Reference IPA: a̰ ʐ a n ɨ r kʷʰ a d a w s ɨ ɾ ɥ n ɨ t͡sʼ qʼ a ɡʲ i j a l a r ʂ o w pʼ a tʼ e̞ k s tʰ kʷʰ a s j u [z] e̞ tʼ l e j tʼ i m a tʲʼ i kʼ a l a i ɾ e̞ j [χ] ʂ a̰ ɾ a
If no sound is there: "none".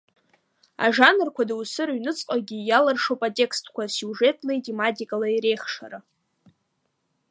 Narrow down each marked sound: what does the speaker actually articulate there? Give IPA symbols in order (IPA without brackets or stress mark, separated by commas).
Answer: ʐ, χ